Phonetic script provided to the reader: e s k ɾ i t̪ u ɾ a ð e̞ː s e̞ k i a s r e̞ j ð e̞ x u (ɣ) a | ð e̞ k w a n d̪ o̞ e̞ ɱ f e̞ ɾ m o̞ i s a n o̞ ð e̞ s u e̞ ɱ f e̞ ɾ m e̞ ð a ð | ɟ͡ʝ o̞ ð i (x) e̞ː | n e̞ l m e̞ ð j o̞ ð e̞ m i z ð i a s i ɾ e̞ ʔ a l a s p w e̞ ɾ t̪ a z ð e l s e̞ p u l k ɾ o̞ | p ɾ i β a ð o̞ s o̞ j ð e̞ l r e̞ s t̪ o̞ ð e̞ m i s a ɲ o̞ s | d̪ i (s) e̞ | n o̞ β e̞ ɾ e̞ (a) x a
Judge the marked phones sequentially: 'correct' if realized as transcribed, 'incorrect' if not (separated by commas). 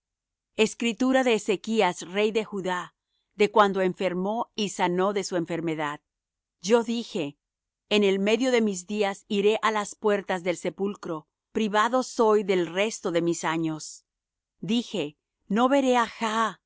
incorrect, correct, incorrect, correct